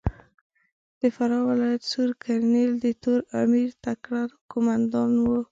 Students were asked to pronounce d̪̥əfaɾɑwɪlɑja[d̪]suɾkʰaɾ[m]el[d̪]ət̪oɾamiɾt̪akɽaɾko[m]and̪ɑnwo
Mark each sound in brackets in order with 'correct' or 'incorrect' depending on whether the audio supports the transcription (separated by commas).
incorrect, incorrect, correct, correct